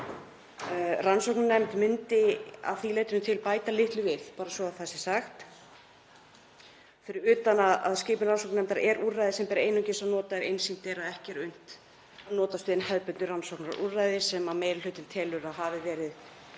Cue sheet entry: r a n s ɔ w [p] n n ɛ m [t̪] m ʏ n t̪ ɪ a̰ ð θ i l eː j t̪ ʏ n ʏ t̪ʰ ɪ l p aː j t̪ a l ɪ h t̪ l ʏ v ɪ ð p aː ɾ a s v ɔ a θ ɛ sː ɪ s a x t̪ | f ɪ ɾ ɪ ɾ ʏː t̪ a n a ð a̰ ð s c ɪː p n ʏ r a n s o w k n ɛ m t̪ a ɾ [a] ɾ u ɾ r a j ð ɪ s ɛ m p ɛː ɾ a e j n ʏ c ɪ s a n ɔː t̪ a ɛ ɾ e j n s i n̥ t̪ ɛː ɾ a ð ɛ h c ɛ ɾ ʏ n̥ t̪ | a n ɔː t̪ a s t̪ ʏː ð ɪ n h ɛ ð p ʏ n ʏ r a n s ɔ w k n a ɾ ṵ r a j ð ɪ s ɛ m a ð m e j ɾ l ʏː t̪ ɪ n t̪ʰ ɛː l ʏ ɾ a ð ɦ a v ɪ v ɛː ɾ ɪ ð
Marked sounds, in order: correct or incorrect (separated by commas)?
incorrect, correct, incorrect